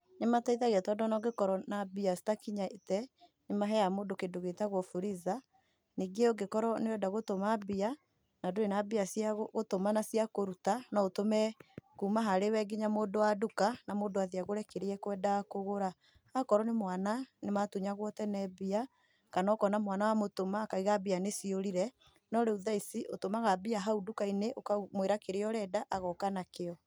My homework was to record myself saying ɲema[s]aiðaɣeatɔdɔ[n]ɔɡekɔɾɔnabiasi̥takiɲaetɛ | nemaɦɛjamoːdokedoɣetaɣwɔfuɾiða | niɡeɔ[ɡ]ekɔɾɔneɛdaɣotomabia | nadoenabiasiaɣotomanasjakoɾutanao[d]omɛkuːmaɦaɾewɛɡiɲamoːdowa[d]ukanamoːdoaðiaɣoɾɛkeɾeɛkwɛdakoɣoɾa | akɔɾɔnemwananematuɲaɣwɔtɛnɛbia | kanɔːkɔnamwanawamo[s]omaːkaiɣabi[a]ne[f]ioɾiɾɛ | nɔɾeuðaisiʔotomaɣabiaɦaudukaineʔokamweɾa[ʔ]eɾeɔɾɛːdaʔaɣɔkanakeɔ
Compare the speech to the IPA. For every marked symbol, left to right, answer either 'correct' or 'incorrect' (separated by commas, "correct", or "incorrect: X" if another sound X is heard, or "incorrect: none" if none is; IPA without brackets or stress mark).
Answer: incorrect: t, correct, correct, incorrect: t, correct, incorrect: t, correct, incorrect: s, incorrect: k